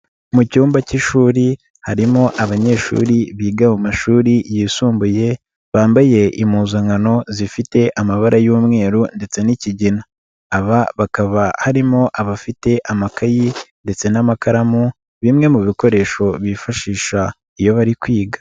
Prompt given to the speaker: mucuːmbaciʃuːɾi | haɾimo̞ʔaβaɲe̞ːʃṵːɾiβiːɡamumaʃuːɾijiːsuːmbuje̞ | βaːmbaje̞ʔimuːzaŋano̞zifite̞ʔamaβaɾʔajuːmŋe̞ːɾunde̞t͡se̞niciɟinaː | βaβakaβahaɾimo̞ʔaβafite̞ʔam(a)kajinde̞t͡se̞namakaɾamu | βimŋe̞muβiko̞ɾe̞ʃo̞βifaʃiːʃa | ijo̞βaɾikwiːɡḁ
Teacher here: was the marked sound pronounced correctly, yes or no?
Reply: yes